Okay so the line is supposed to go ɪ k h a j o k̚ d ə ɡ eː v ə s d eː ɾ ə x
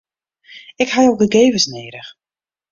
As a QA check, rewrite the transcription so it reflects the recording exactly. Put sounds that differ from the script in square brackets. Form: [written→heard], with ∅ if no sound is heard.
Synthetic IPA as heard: ɪ k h a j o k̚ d ə ɡ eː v ə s [d→n] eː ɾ ə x

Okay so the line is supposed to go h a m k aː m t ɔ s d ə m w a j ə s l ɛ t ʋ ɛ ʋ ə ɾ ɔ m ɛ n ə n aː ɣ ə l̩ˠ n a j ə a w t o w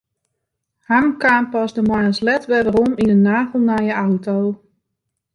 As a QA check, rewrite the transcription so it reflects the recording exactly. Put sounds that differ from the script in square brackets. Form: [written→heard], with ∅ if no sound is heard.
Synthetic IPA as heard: h a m k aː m [t→p] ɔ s d ə m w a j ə s l ɛ t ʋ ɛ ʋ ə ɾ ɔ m [ɛ→i] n ə n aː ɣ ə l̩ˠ n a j ə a w t o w

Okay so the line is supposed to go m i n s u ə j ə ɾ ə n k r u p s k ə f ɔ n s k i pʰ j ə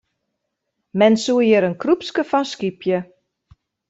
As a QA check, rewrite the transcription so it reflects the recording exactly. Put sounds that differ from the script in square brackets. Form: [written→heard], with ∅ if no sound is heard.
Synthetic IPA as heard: m [i→ɛ] n s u ə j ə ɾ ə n k r u p s k ə f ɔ n s k i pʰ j ə

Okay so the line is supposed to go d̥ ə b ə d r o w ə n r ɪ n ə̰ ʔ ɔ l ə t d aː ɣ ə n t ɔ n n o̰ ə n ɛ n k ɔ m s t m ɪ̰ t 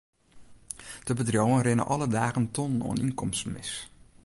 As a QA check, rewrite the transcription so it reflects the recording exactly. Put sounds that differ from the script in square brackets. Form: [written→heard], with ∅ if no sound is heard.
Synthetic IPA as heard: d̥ ə b ə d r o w ə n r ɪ n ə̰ ʔ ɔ l ə [t→∅] d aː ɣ ə n t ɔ n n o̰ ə n [ɛ→i] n k ɔ m s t m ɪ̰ [t→s]

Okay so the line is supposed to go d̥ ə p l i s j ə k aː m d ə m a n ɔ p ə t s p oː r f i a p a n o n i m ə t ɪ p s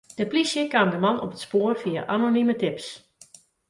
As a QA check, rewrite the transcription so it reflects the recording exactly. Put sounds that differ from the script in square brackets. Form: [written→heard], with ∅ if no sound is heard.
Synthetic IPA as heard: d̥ ə p l i s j ə k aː m d ə m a n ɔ p ə t s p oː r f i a [p→ʔ] a n o n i m ə t ɪ p s

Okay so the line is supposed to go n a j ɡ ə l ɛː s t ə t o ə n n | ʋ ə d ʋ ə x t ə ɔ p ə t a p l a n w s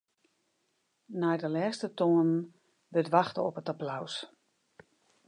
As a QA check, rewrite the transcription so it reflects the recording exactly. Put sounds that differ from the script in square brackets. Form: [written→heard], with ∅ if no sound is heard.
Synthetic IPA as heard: n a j [ɡ→d] ə l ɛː s t ə t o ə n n | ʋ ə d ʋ [ə→a] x t ə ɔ p ə t a p l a [n→∅] w s

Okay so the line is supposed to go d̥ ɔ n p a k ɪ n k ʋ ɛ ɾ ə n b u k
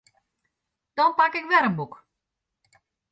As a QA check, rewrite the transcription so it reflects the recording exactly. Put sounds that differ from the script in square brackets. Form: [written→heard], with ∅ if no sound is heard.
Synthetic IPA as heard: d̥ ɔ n p a k ɪ [n→∅] k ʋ ɛ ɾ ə n b u k

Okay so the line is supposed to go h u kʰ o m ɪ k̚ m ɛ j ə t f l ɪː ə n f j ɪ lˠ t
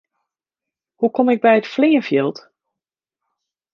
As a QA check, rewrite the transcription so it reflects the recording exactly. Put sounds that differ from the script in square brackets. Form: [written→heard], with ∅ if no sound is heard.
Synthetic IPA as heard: h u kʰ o m ɪ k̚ [m→b] ɛ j ə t f l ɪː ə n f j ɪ lˠ t

